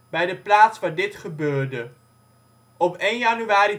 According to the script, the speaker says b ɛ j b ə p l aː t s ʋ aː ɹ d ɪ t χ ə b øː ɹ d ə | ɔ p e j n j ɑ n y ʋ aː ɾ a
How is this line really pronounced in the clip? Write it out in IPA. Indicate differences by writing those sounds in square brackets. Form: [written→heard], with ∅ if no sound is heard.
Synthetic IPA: b ɛ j [b→d] ə p l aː t s ʋ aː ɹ d ɪ t χ ə b øː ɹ d ə | ɔ p e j n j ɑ n y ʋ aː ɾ [a→i]